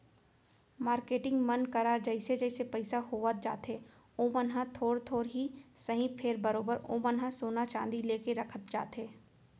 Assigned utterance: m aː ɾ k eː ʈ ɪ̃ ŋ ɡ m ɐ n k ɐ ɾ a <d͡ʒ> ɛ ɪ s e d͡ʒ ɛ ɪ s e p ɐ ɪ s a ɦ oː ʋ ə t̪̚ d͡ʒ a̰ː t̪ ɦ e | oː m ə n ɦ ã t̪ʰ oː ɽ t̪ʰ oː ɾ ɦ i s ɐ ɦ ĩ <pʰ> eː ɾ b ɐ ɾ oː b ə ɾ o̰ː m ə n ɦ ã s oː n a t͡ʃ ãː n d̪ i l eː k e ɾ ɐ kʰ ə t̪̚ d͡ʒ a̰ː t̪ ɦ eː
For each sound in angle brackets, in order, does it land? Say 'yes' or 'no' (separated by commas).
yes, yes